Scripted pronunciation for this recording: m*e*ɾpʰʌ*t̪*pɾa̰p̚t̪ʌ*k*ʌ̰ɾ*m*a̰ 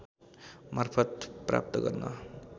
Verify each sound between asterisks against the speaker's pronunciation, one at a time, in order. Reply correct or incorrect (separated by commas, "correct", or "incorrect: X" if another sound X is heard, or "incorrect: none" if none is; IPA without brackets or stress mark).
incorrect: a, correct, incorrect: ɡ, incorrect: n